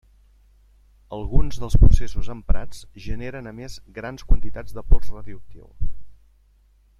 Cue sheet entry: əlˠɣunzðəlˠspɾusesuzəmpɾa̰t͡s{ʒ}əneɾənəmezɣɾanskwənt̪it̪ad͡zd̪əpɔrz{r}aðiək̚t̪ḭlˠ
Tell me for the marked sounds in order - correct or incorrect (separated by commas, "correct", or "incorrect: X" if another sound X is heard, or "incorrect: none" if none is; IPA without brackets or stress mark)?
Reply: correct, correct